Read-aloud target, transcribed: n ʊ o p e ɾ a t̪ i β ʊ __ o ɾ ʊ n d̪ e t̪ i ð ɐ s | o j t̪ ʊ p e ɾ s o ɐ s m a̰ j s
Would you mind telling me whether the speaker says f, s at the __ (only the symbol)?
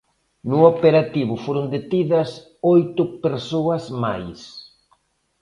f